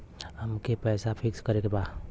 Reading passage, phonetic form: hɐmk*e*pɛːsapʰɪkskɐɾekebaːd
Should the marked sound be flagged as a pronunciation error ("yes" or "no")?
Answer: no